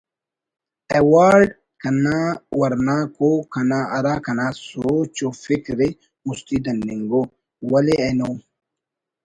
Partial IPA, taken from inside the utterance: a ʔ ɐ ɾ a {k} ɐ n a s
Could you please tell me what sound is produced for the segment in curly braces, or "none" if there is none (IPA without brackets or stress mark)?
k